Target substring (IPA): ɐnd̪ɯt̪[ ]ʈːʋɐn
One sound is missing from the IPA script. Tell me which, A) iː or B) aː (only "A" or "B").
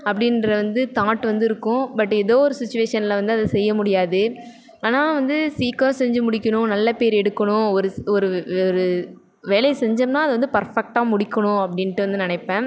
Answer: B